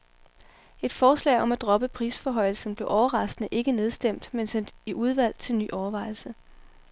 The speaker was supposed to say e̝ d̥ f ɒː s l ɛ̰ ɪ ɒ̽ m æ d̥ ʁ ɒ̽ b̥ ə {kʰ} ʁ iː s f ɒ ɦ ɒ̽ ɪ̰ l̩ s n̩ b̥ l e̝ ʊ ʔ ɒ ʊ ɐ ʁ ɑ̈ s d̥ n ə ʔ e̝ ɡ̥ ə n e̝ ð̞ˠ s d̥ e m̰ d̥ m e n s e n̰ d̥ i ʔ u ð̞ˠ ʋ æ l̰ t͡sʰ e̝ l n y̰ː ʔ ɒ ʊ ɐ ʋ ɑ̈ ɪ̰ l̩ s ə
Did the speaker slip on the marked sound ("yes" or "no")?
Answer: yes